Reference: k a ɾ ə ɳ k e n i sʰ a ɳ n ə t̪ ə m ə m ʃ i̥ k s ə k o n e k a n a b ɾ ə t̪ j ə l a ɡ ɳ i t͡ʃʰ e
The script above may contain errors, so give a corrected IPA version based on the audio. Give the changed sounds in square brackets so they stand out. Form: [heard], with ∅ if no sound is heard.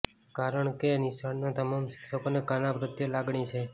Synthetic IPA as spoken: k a ɾ ə ɳ k e n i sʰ a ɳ n [a] t̪ ə m [a] m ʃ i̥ k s ə k o n e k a n a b ɾ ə t̪ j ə l a ɡ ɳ i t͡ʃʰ e